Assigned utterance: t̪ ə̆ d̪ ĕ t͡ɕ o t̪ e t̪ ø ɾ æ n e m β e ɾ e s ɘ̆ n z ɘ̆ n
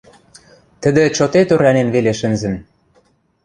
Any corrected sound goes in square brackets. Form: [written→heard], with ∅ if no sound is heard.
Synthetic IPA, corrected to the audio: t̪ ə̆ d̪ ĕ t͡ɕ o t̪ e t̪ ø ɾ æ n e [m→n] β e [ɾ→l] e [s→ʃ] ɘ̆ n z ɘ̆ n